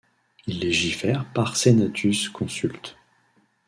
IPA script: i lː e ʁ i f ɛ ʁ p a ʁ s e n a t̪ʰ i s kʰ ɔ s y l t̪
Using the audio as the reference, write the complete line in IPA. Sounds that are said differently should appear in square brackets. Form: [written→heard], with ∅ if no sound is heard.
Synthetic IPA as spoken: i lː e [ʁ→ʒ] i f ɛ ʁ p a ʁ s e n a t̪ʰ [i→y] s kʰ [ɔ→ɔ̃] s y l t̪